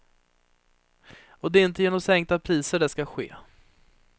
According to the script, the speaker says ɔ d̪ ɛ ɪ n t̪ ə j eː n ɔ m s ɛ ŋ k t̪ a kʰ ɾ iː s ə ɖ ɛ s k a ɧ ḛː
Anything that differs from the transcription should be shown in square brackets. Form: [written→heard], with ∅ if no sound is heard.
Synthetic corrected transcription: ɔ d̪ ɛ ɪ n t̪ ə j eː n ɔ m s ɛ ŋ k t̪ a [kʰ→pʰ] ɾ iː s ə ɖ ɛ s k a ɧ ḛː